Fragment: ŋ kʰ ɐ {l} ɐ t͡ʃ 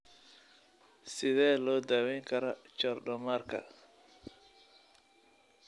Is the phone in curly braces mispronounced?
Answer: yes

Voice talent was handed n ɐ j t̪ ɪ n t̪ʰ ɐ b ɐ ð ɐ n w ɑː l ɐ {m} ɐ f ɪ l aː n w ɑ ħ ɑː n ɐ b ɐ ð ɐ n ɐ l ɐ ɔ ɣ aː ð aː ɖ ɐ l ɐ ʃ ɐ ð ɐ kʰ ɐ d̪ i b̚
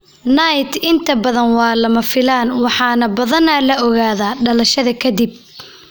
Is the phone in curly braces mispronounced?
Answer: no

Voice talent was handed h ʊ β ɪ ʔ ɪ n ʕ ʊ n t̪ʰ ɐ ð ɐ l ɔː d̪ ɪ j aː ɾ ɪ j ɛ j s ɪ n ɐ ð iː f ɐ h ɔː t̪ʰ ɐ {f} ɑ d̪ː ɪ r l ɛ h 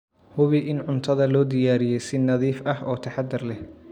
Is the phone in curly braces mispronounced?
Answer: yes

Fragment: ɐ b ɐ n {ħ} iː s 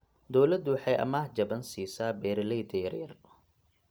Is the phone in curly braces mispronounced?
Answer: yes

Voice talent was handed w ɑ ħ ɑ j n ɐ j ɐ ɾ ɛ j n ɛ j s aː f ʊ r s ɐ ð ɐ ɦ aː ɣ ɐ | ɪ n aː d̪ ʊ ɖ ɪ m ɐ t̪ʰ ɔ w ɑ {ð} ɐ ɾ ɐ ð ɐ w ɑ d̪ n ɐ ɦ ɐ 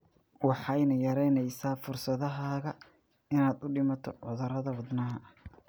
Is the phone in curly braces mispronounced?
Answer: no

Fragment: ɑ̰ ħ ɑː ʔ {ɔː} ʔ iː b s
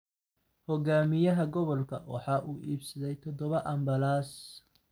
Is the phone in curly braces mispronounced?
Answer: yes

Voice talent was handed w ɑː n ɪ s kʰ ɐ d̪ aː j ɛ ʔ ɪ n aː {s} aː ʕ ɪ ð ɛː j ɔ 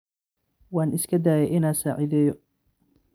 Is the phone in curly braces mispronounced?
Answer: no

